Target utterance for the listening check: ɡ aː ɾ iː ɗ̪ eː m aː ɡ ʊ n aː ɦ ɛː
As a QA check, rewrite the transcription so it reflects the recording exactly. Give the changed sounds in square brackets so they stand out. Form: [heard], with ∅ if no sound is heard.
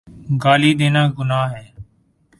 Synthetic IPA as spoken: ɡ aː [l] iː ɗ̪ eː [n] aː ɡ ʊ n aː ɦ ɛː

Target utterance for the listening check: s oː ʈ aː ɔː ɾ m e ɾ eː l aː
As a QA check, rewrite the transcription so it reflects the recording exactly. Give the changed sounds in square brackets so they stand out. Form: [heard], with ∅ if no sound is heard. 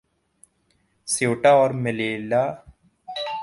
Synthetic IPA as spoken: s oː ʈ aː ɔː ɾ m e [l] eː l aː

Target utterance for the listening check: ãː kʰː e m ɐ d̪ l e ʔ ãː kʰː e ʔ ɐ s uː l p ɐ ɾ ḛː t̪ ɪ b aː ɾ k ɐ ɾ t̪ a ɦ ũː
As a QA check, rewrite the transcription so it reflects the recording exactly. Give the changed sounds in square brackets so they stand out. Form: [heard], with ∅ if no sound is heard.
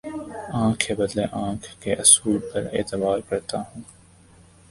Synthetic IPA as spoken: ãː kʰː e [b] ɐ d̪ l e ʔ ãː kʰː e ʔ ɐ s uː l p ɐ ɾ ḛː t̪ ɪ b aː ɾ k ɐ ɾ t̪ a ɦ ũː

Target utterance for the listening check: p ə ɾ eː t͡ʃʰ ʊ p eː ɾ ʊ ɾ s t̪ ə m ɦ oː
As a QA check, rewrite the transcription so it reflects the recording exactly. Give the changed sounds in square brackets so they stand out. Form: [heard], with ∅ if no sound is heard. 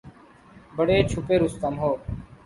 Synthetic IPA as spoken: [b] ə [ɽ] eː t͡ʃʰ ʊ p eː ɾ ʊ [∅] s t̪ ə m ɦ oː

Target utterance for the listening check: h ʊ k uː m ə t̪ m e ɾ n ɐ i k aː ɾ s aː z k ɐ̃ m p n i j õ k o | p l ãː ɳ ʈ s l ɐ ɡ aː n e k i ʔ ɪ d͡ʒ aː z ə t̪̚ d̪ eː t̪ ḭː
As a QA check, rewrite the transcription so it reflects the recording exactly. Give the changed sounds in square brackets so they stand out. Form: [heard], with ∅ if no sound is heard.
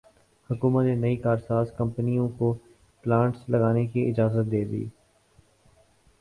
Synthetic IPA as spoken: h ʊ k uː m ə t̪ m e [∅] n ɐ i k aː ɾ s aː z k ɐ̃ m p n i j õ k o | p l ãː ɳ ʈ s l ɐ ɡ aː n e k i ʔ ɪ d͡ʒ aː z ə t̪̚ d̪ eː [d̪] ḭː

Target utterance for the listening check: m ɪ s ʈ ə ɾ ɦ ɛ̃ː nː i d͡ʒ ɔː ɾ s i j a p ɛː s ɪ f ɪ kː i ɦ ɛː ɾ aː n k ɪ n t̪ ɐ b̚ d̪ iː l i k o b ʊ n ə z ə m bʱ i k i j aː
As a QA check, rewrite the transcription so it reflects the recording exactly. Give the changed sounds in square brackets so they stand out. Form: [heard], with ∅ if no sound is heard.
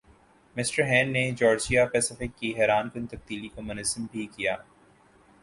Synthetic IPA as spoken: m ɪ s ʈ ə ɾ ɦ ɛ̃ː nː [e] d͡ʒ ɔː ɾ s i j a p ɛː s ɪ f ɪ kː i ɦ ɛː ɾ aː n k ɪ n t̪ ɐ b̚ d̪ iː l i k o [m] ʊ n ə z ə m bʱ i k i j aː

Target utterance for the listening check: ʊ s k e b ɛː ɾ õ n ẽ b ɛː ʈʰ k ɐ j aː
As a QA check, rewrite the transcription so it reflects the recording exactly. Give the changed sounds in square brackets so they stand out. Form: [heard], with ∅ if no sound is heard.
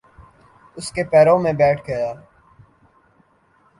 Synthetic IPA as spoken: ʊ s k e [p] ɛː ɾ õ [m] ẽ b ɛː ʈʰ [ɡ] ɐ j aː

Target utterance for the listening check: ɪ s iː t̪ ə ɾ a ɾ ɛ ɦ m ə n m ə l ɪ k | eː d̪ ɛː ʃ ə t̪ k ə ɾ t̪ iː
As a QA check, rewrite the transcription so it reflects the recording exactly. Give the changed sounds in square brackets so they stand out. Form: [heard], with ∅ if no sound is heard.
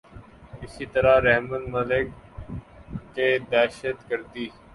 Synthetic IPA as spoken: ɪ s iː t̪ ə ɾ a ɾ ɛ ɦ m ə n m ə l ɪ k | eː d̪ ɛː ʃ ə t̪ k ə ɾ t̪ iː

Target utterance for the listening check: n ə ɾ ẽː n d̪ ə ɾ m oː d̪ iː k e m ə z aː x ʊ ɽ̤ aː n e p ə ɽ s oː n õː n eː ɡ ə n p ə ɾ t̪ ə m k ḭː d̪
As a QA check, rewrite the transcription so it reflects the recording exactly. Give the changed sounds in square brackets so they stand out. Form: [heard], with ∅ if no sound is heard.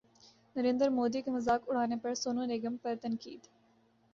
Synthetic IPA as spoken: n ə ɾ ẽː n d̪ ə ɾ m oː d̪ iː k e m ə z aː [k] ʊ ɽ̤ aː n e p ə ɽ s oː n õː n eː ɡ ə [m] p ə ɾ t̪ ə [n] k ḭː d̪

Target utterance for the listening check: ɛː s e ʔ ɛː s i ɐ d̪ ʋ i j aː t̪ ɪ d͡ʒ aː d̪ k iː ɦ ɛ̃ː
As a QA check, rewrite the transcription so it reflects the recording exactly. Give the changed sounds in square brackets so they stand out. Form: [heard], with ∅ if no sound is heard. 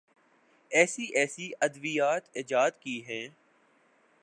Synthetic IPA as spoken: ɛː s [i] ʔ ɛː s i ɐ d̪ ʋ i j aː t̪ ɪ d͡ʒ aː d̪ k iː ɦ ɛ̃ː

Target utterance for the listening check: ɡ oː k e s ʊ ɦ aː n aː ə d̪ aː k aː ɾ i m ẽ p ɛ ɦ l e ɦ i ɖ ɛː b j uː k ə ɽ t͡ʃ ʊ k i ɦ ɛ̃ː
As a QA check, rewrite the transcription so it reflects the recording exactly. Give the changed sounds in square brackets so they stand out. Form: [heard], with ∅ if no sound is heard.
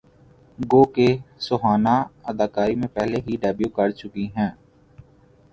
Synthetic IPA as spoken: ɡ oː k e s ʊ ɦ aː n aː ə d̪ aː k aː ɾ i m ẽ p ɛ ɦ l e ɦ i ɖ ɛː b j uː k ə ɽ t͡ʃ ʊ k i ɦ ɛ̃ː

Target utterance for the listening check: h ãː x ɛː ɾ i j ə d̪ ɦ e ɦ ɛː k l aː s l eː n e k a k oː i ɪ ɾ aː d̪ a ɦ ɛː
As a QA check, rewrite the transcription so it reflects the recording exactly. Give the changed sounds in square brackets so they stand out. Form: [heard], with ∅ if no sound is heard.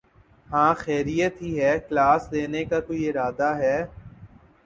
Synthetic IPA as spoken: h ãː x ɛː ɾ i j ə [t̪] ɦ [i] ɦ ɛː k l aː s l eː n e k a k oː i ɪ ɾ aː d̪ a ɦ ɛː

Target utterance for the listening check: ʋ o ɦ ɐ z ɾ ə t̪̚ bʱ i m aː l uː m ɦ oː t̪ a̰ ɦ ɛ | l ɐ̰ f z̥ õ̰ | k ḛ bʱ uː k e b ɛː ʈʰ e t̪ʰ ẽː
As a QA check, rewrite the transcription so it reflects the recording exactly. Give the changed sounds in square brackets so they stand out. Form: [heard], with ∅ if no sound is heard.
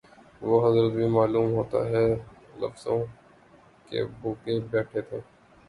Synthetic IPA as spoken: ʋ o ɦ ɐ z ɾ ə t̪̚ bʱ i m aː l uː m ɦ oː t̪ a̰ ɦ ɛ | l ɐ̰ f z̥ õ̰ | k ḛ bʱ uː k e b ɛː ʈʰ e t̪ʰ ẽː

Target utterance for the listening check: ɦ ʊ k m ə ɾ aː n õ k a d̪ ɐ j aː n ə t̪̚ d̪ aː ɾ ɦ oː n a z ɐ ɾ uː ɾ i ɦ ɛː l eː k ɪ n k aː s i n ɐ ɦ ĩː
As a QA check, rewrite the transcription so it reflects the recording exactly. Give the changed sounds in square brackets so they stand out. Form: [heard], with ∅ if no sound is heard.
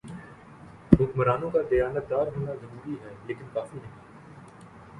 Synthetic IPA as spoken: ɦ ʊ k m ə ɾ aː n õ k a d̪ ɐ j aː n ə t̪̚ d̪ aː ɾ ɦ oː n a z ɐ ɾ uː ɾ i ɦ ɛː l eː k ɪ n k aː [f] i n ɐ ɦ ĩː

